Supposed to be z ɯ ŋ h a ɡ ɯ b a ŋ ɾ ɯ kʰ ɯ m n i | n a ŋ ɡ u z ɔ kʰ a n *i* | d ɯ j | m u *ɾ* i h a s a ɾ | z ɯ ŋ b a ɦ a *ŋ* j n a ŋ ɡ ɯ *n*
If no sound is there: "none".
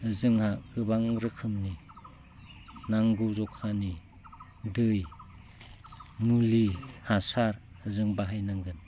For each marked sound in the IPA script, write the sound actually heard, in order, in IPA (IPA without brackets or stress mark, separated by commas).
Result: i, l, none, n